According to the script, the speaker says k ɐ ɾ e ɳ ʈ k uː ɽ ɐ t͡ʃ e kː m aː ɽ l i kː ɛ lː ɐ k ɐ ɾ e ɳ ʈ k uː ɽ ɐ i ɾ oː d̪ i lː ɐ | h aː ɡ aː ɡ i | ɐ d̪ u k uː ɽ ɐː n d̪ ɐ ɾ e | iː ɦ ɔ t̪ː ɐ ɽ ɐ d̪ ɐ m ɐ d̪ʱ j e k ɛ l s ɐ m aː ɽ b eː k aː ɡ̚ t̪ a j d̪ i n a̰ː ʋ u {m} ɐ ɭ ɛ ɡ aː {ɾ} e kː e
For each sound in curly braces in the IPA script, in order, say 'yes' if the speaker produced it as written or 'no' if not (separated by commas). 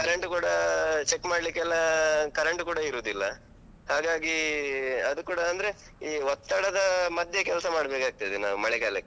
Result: yes, no